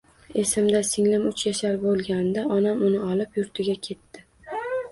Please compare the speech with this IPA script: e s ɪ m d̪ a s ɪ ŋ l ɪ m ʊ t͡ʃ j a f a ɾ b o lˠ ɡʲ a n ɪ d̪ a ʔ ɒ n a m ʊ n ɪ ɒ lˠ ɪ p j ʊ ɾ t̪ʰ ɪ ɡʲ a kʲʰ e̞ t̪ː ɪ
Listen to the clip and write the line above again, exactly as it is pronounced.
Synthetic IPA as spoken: e s ɪ m d̪ a s ɪ ŋ l ɪ m ʊ t͡ʃ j a ʃ a ɾ b o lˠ ɡʲ a n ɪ d̪ a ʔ ɒ n a m ʊ n ɪ ɒ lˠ ɪ p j ʊ ɾ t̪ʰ ɪ ɡʲ a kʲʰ e̞ t̪ː ɪ